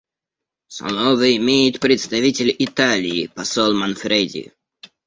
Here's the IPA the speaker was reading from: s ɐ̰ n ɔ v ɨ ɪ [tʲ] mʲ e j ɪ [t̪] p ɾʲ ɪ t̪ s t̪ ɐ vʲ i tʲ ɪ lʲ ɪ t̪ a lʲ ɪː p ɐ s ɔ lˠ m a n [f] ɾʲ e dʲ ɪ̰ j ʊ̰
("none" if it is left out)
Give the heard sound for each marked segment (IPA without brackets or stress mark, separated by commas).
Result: none, t̪, f